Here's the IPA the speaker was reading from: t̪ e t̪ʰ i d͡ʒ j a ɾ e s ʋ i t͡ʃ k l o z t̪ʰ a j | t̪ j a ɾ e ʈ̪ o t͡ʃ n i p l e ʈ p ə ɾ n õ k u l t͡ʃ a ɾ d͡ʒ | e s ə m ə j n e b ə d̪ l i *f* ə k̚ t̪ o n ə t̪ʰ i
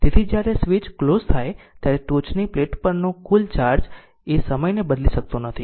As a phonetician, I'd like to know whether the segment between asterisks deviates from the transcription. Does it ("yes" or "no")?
yes